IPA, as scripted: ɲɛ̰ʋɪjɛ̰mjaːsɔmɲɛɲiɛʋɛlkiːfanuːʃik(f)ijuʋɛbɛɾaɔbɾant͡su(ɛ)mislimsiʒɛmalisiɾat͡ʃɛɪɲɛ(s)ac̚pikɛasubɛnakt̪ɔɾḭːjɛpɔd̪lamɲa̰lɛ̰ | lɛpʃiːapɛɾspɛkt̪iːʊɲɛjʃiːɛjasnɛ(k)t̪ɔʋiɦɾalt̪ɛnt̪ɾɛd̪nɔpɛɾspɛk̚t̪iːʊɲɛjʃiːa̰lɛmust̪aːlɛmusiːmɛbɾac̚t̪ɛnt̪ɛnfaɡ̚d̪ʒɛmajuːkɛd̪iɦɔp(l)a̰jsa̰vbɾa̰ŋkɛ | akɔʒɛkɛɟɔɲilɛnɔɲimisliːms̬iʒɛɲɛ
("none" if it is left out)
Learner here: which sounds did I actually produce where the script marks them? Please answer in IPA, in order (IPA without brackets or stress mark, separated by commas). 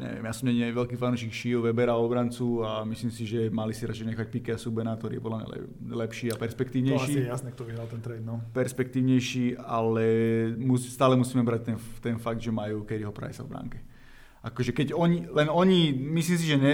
ʃ, a, x, k, ɾ